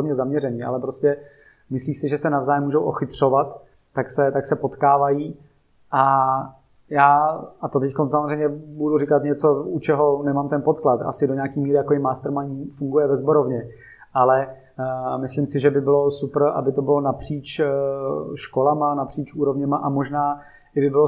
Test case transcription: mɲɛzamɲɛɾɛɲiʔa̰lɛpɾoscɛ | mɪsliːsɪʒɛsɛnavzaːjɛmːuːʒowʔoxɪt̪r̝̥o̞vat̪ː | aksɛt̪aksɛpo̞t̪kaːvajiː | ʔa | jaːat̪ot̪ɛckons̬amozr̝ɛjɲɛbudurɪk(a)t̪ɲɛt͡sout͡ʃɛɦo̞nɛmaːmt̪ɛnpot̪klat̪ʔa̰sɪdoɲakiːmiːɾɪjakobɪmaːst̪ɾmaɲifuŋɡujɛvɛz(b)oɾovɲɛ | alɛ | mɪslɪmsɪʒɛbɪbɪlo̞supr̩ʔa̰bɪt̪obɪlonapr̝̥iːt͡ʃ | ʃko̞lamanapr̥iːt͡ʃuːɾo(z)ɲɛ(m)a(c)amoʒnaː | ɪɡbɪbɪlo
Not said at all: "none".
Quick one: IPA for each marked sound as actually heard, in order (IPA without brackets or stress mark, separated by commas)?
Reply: a, b, v, m, ʔ